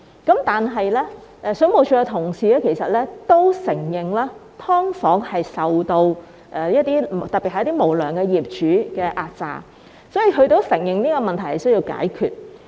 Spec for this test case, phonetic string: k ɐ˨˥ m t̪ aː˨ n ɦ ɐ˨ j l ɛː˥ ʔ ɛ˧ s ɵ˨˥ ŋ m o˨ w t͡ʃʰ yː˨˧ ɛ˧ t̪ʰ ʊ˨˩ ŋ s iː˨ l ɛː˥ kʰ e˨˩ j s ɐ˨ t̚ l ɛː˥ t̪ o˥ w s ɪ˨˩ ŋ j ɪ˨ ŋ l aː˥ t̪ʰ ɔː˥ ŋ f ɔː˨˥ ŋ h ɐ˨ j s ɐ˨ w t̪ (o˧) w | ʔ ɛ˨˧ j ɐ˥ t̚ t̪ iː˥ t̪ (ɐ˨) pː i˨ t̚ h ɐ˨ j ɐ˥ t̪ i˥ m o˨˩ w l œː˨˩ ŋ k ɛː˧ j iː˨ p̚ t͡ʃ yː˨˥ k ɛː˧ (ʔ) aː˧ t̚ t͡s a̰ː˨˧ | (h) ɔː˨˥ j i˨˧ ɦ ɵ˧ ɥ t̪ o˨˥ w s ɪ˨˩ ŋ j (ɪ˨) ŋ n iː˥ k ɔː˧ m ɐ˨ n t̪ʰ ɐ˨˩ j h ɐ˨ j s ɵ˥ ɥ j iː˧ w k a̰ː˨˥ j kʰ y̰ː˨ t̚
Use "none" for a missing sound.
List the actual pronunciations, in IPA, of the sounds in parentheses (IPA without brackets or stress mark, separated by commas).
o˧, ɐ˨, ʔ, s, ɪ˨